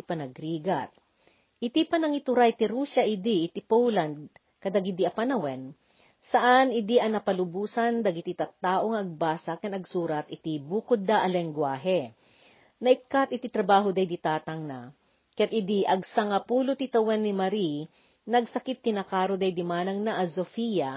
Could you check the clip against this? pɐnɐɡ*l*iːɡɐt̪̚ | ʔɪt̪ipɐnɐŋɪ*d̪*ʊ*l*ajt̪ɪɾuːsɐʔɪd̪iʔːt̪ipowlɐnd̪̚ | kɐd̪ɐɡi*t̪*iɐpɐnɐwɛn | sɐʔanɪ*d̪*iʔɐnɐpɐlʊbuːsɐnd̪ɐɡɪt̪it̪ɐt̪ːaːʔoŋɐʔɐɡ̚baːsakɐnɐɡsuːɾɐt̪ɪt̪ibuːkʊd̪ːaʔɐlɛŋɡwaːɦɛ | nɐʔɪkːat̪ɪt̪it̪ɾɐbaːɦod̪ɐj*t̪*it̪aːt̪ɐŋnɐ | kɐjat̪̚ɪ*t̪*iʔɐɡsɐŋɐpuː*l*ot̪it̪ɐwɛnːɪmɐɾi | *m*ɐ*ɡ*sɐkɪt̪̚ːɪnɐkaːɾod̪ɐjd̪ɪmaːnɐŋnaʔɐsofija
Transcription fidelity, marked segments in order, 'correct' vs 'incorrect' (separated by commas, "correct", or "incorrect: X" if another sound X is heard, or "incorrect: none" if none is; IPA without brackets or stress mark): incorrect: ɾ, incorrect: t̪, incorrect: ɾ, incorrect: d̪, correct, incorrect: d̪, incorrect: d̪, correct, incorrect: n, correct